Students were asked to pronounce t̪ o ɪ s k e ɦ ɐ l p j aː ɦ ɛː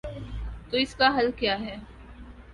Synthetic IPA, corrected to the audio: t̪ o ɪ s k a ɦ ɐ l k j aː ɦ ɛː